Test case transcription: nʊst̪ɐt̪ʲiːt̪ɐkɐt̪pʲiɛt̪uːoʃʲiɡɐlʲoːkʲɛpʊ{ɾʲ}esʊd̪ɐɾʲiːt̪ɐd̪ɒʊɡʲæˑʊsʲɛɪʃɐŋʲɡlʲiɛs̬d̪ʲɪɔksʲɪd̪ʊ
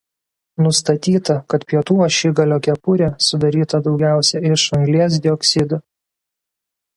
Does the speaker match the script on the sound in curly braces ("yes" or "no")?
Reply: yes